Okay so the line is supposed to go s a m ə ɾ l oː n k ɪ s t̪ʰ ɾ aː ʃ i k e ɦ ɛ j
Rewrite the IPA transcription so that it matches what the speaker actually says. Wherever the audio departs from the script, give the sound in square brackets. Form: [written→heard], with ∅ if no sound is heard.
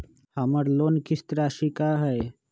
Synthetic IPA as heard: [s→h] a m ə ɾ l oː n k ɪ s [t̪ʰ→t̪] ɾ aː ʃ i k [e→a] ɦ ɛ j